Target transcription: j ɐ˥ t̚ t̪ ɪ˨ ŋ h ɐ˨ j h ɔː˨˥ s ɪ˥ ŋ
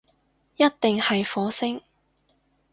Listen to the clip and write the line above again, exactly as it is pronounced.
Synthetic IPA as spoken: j ɐ˥ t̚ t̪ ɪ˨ ŋ h ɐ˨ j f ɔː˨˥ s ɪ˥ ŋ